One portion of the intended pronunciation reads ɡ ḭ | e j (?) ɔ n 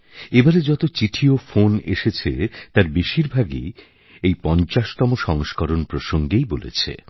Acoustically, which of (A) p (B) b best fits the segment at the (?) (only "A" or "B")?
A